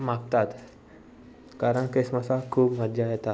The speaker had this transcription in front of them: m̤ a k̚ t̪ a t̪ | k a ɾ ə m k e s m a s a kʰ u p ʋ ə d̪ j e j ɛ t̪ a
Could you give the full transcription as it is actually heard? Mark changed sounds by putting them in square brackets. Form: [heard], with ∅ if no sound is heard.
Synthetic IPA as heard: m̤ a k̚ t̪ a t̪ | k a ɾ ə [ɳ] k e s m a s a kʰ [uː] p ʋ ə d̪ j [a] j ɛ t̪ a